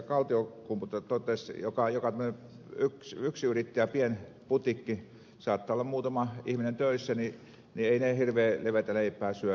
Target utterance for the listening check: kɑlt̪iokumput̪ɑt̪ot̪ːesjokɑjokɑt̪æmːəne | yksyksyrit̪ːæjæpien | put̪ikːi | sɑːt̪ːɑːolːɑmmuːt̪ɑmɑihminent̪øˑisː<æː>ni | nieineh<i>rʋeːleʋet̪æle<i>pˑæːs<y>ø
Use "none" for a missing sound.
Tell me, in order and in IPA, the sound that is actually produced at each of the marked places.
æ, i, i, y

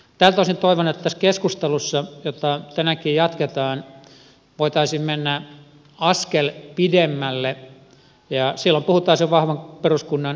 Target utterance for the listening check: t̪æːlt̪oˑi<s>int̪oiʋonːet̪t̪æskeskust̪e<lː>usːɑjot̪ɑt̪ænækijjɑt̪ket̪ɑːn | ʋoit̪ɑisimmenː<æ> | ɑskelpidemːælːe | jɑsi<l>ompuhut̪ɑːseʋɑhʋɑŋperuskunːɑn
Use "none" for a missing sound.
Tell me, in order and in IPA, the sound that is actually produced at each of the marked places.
s, l, æ, lː

